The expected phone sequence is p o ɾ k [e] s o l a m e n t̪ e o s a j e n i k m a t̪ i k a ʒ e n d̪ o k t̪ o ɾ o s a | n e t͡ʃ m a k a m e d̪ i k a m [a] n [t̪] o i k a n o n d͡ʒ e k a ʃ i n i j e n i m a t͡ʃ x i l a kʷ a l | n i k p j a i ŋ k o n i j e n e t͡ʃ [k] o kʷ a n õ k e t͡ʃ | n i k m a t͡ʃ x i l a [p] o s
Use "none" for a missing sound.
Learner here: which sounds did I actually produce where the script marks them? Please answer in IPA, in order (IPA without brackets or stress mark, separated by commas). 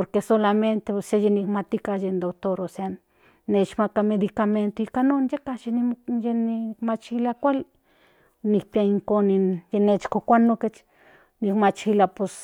e, e, t̪, k, p